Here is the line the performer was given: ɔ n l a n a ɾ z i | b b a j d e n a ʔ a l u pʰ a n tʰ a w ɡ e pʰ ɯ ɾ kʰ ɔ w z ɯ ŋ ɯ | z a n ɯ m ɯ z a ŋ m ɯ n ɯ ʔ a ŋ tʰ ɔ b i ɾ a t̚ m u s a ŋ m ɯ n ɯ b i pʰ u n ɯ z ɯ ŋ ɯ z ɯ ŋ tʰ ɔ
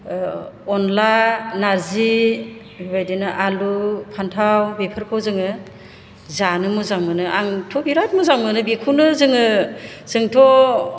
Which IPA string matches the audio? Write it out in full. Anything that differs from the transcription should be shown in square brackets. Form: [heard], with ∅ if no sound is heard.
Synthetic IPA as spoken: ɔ n l a n a ɾ z i | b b a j d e n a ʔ a l u pʰ a n tʰ a w [b] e pʰ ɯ ɾ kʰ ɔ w z ɯ ŋ ɯ | z a n ɯ m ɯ z a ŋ m ɯ n ɯ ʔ a ŋ tʰ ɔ b i ɾ a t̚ m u [z] a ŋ m ɯ n ɯ b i [kʰ] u n ɯ z ɯ ŋ ɯ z ɯ ŋ tʰ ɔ